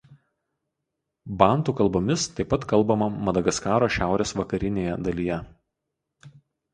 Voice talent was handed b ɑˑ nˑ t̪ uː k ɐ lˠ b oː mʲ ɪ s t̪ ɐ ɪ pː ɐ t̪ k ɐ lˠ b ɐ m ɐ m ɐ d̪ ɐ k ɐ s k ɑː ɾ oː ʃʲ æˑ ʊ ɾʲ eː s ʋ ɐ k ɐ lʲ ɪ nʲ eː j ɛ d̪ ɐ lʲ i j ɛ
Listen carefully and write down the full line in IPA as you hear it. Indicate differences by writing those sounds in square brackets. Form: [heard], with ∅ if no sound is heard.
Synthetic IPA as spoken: b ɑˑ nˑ t̪ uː k ɐ lˠ b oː mʲ ɪ s t̪ ɐ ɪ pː ɐ t̪ k ɐ lˠ b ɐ m ɐ m ɐ d̪ ɐ [ɡ] ɐ s k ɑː ɾ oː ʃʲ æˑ ʊ ɾʲ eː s ʋ ɐ k ɐ [ɾʲ] ɪ nʲ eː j ɛ d̪ ɐ lʲ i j ɛ

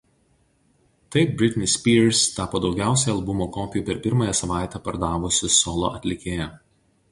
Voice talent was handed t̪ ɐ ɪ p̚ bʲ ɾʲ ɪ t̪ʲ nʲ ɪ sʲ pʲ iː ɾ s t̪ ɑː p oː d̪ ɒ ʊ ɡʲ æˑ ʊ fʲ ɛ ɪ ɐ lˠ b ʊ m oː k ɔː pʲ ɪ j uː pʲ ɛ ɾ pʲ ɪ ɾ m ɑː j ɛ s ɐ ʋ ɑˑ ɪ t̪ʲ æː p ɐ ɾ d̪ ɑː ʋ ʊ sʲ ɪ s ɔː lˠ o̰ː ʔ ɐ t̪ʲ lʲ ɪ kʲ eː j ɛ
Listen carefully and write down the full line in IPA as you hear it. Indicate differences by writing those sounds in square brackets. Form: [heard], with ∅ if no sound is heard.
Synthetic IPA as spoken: t̪ ɐ ɪ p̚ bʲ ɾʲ ɪ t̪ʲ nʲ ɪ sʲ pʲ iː ɾ s t̪ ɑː p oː d̪ ɒ ʊ ɡʲ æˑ ʊ [sʲ] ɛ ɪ ɐ lˠ b ʊ m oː k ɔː pʲ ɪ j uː pʲ ɛ ɾ pʲ ɪ ɾ m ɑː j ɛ s ɐ ʋ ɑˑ ɪ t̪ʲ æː p ɐ ɾ d̪ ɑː ʋ ʊ sʲ ɪ s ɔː lˠ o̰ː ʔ ɐ t̪ʲ lʲ ɪ kʲ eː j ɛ

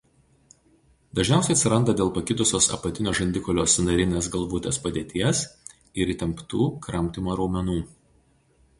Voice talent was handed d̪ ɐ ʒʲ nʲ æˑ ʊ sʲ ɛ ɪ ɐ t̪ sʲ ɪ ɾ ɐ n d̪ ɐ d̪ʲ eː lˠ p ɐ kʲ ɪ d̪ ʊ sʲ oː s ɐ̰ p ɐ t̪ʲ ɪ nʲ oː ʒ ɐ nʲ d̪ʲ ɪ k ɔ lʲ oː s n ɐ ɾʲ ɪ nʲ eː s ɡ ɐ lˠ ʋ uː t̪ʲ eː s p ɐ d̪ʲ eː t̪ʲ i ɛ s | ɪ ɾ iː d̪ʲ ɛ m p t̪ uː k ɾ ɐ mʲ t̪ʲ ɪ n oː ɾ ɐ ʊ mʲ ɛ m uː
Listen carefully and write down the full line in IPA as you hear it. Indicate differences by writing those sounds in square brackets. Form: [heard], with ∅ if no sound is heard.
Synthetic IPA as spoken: d̪ ɐ ʒʲ nʲ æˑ ʊ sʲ ɛ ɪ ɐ t̪ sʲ ɪ ɾ ɐ n d̪ ɐ d̪ʲ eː lˠ p ɐ kʲ ɪ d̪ ʊ sʲ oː s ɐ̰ p ɐ t̪ʲ ɪ nʲ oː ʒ ɐ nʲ d̪ʲ ɪ k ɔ lʲ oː s n ɐ ɾʲ ɪ nʲ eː s ɡ ɐ lˠ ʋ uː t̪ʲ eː s p ɐ d̪ʲ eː t̪ʲ i ɛ s | ɪ ɾ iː [t̪ʲ] ɛ m p t̪ uː k ɾ ɐ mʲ t̪ʲ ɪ [m] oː ɾ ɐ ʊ mʲ ɛ [n] uː

